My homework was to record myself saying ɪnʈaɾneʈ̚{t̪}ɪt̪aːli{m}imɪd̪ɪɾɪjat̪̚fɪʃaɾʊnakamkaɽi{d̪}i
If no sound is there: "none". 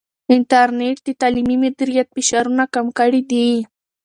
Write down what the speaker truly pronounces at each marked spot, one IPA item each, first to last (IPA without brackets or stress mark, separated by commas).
d̪, m, d̪